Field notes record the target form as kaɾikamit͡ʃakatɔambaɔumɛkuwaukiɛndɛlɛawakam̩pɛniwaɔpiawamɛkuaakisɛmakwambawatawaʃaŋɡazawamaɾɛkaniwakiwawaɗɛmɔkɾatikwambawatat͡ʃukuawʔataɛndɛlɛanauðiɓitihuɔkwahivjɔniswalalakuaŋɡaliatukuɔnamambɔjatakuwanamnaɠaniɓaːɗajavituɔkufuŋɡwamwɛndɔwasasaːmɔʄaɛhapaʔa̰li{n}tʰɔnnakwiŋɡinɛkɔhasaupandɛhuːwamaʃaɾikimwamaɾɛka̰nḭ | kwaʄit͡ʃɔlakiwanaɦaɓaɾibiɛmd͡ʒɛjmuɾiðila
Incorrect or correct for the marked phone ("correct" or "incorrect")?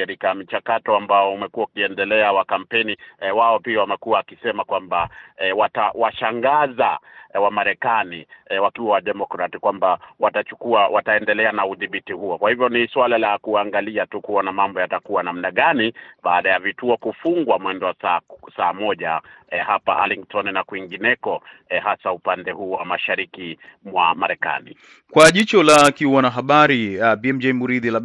incorrect